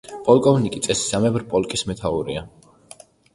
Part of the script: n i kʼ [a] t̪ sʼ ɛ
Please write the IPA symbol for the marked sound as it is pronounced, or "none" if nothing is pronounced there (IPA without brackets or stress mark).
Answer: i